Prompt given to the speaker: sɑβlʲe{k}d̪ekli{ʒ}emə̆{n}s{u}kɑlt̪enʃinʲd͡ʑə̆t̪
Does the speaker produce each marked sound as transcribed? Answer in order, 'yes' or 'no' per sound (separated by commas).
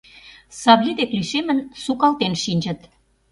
no, no, yes, yes